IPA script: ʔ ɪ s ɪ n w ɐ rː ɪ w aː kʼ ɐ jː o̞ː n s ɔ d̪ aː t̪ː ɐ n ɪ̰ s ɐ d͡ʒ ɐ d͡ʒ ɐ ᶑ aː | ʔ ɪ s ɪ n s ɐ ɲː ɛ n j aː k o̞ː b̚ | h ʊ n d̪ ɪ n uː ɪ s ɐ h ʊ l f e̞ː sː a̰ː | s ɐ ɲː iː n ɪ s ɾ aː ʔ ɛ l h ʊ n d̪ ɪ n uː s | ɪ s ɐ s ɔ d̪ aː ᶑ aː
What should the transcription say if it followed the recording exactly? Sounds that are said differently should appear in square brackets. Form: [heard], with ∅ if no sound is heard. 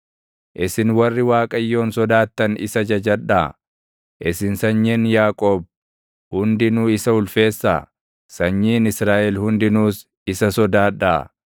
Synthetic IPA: ʔ ɪ s ɪ n w ɐ rː ɪ w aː kʼ ɐ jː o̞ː n s ɔ d̪ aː t̪ː ɐ n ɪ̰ s ɐ d͡ʒ ɐ d͡ʒ ɐ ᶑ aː | ʔ ɪ s ɪ n s ɐ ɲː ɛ n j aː [kʼ] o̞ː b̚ | h ʊ n d̪ ɪ n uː ɪ s ɐ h ʊ l f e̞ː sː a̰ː | s ɐ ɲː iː n ɪ s ɾ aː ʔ ɛ l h ʊ n d̪ ɪ n uː s | ɪ s ɐ s ɔ d̪ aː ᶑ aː